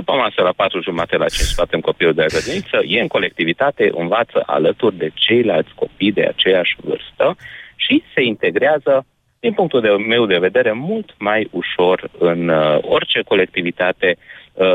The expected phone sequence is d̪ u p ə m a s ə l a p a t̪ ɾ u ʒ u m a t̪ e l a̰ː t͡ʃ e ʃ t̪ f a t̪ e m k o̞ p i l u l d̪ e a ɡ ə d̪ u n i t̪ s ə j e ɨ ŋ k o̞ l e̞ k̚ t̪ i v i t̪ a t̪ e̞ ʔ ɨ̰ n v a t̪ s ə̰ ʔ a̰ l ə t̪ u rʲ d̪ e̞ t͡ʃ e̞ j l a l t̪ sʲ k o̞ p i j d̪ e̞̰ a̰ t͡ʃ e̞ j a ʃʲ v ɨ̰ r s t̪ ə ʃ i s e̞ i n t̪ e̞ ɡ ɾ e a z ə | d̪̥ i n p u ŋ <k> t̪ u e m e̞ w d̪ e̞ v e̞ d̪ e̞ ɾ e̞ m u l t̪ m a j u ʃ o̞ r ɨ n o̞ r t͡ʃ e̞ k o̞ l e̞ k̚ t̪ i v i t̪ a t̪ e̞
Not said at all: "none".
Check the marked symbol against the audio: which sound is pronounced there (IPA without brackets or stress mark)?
k